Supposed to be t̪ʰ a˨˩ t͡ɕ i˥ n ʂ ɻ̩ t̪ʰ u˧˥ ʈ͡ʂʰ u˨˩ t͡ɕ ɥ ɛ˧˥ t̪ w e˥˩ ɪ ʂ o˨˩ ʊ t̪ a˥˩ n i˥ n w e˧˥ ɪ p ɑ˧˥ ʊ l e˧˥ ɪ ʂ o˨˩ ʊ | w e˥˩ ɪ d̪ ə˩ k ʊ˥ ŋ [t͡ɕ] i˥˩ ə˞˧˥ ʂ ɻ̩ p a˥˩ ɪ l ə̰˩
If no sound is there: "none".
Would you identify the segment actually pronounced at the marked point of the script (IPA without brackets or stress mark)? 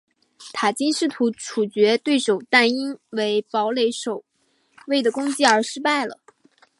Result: t͡ɕ